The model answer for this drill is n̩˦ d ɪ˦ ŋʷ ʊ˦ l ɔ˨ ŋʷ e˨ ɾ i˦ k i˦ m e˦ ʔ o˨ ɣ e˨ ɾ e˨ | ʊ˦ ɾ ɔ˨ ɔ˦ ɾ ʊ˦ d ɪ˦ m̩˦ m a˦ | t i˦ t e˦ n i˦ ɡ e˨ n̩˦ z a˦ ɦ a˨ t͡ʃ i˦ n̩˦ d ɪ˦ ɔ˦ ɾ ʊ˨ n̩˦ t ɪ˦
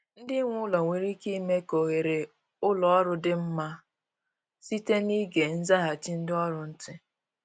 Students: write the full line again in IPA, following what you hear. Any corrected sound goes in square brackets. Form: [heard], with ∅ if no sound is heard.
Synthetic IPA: n̩˦ d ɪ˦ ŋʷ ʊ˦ l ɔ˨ ŋʷ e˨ ɾ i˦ k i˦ m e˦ [k] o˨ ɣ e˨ ɾ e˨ | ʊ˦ [l] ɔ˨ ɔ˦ ɾ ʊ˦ d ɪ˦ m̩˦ m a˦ | [s] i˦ t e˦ n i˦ ɡ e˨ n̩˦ z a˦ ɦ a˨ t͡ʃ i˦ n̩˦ d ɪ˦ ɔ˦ ɾ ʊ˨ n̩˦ t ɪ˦